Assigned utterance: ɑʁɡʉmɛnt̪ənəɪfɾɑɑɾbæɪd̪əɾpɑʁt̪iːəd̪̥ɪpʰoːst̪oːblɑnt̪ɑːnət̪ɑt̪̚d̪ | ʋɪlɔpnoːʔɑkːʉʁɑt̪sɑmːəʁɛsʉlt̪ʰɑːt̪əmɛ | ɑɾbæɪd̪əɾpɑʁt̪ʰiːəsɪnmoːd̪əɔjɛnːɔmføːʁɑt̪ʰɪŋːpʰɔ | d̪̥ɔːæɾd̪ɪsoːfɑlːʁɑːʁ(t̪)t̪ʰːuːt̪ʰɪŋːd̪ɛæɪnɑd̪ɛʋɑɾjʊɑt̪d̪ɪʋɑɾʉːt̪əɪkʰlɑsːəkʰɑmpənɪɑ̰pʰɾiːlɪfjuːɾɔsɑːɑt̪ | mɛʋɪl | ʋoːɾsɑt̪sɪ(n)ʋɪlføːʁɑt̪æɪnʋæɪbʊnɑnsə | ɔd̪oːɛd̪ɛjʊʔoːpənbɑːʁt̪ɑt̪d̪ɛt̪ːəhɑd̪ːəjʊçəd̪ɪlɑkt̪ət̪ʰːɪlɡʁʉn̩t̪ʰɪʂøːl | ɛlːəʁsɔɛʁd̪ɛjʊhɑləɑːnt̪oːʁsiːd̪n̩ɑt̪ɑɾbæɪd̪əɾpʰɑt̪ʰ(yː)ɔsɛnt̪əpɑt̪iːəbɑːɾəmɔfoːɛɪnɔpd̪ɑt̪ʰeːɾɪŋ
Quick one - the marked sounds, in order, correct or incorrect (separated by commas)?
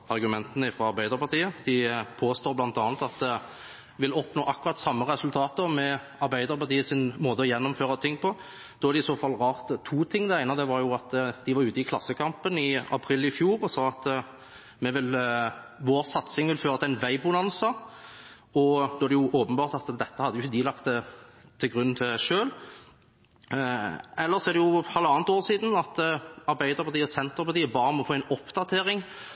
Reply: correct, incorrect, incorrect